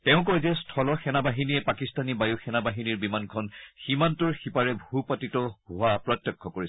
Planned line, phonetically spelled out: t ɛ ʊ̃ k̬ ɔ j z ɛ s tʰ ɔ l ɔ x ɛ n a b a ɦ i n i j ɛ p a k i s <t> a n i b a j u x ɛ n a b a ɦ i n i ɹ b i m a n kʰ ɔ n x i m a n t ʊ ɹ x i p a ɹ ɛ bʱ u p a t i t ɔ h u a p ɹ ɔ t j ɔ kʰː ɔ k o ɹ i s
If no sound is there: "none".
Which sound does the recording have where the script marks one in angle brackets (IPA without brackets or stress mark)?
t